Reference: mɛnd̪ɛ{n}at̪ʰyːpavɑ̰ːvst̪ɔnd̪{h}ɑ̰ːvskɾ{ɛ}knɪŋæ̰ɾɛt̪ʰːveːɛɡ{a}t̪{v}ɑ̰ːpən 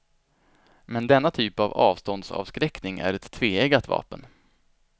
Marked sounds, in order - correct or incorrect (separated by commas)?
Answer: incorrect, incorrect, correct, correct, correct